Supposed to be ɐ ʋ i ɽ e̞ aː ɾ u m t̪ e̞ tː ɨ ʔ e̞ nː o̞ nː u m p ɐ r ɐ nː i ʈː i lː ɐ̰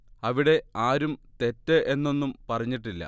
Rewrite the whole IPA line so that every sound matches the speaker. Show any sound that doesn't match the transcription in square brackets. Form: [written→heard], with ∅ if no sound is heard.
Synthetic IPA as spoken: ɐ ʋ i ɽ e̞ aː ɾ u m t̪ e̞ tː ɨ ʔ e̞ nː o̞ nː u m p ɐ r ɐ [nː→ɲː] i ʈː i lː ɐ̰